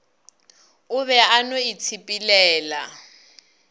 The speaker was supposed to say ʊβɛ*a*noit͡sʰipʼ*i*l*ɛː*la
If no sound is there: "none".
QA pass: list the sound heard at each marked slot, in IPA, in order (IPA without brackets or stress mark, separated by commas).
a, i, ɛː